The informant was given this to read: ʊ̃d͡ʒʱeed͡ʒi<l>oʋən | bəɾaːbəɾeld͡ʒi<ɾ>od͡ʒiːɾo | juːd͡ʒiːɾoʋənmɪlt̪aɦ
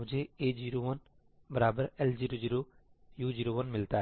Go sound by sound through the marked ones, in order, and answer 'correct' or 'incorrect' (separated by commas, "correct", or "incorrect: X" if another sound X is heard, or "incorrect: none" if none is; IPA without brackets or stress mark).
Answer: incorrect: ɾ, correct